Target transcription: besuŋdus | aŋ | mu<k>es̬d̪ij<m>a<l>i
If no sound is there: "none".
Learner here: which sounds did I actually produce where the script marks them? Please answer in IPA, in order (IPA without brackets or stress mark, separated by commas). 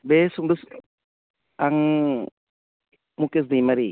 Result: k, m, ɾ